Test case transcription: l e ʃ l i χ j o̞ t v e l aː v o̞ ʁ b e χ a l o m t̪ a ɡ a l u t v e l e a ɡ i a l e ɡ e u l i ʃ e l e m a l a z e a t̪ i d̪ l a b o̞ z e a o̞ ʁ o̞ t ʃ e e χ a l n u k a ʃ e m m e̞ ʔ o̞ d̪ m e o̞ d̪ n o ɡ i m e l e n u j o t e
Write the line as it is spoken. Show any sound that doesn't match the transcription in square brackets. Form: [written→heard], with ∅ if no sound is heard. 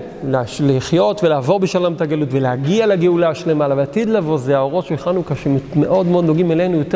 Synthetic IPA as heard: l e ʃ l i χ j o̞ t v e l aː v o̞ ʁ b e [χ→ʃ] a l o m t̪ a ɡ a l u t v e l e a ɡ i a l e ɡ e u l [i→a] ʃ e l e m a l a [z→v] e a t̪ i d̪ l a [b→v] o̞ z e a o̞ ʁ o̞ t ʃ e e χ a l n u k a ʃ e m m e̞ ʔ o̞ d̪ m e o̞ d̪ n o ɡ i m e l e n u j o t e